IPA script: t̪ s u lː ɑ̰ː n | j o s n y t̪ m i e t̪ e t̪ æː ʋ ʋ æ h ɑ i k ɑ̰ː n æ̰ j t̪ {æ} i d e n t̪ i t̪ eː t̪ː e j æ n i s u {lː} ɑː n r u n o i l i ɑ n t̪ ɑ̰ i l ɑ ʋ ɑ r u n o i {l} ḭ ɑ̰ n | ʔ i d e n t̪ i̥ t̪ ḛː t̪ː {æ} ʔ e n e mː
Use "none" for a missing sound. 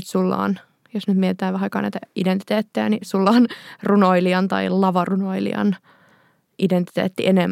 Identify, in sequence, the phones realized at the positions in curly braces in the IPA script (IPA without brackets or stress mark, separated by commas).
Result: æ, lː, l, i